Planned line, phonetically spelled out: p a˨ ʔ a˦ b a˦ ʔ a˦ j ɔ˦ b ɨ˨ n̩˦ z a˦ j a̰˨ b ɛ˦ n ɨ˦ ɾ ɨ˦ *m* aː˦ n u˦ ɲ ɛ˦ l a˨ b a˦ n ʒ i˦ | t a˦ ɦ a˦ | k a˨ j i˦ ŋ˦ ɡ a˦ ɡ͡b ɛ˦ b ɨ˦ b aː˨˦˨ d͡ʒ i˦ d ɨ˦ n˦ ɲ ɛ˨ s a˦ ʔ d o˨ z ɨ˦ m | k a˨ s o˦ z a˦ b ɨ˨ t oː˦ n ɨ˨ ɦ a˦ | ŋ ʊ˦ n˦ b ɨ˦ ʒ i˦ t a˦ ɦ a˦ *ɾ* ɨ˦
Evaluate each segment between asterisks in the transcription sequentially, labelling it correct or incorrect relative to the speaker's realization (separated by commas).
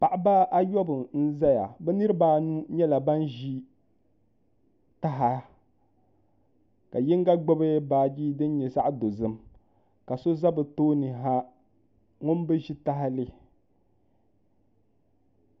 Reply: incorrect, incorrect